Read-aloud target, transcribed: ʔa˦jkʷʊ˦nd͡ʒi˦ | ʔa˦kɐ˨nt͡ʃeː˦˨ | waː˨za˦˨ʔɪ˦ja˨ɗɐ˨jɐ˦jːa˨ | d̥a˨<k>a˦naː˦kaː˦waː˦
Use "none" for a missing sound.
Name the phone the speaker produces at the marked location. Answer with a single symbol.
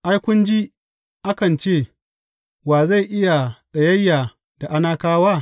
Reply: ʔ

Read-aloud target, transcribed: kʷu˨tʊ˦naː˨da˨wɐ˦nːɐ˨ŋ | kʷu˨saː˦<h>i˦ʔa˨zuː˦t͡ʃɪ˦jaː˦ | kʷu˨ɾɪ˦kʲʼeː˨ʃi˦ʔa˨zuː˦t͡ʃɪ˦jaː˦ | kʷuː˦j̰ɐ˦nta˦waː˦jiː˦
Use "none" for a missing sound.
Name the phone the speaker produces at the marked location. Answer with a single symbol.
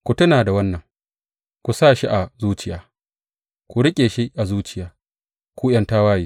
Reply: ʃ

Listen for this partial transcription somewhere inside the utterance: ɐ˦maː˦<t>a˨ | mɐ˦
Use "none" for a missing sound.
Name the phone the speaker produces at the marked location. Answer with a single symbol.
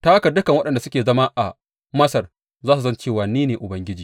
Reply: ʔ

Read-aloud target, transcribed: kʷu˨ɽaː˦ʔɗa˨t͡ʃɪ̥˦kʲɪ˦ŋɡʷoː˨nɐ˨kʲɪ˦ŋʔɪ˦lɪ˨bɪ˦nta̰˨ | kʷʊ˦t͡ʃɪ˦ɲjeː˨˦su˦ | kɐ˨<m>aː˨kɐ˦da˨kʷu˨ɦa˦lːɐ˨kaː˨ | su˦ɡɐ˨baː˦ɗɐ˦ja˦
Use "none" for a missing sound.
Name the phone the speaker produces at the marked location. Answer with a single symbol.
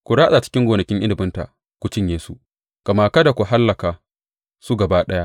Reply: m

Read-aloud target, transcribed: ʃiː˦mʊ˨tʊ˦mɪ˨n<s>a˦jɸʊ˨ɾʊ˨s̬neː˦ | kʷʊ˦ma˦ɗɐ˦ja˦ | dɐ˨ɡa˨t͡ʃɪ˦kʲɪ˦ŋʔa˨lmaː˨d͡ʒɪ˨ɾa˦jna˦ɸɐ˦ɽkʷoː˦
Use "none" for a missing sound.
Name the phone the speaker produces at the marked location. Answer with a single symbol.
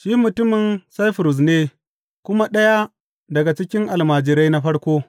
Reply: s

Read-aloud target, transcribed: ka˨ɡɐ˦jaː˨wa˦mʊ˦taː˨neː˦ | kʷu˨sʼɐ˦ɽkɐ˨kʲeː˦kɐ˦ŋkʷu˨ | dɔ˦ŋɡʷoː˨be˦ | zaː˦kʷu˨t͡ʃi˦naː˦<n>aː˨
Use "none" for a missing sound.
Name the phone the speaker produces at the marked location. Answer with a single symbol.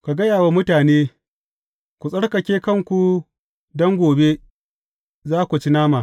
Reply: m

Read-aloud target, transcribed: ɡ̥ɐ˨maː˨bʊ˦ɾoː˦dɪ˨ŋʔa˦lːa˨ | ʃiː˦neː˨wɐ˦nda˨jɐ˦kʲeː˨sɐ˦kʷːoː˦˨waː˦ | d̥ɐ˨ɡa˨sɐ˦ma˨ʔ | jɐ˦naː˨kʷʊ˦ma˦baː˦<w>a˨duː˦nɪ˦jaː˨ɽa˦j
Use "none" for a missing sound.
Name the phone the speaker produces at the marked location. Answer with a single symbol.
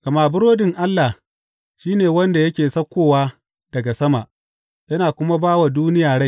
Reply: w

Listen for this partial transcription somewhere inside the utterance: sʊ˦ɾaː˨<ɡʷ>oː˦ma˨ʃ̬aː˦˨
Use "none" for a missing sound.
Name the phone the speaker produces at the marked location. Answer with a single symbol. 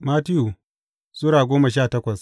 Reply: ɡʷ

